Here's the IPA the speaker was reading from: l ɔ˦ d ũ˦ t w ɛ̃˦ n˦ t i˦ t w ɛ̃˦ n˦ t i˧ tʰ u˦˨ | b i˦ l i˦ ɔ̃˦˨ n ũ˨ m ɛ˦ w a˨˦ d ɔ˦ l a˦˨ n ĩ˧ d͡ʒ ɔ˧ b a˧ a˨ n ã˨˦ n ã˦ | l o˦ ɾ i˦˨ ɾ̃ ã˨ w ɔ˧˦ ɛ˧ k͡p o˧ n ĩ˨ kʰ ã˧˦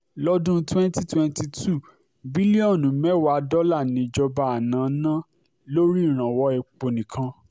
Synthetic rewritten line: l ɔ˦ d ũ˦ t w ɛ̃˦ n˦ t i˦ t w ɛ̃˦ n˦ t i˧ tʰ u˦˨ | b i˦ l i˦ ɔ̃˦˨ n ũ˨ m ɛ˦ w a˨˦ d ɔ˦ l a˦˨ n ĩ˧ d͡ʒ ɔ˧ b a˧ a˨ n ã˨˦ n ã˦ | l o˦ ɾ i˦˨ ɾ̃ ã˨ w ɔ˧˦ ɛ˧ k͡p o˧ n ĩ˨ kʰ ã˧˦